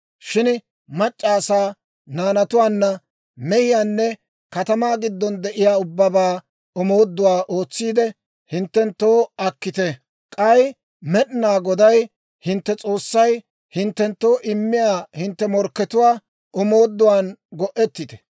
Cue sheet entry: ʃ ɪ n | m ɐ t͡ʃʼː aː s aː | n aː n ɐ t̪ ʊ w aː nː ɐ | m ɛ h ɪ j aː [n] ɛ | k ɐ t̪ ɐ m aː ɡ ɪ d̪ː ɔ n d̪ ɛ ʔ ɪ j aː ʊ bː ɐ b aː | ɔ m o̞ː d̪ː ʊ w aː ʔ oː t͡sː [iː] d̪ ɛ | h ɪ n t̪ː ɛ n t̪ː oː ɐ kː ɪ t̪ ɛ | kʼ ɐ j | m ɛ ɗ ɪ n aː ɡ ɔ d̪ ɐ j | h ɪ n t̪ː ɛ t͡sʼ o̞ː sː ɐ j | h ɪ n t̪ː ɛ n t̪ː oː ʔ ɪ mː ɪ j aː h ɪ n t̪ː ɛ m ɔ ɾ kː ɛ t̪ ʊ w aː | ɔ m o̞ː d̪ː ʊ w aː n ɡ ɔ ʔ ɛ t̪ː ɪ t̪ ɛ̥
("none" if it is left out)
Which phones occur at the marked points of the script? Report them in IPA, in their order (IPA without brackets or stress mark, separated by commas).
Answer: nː, iː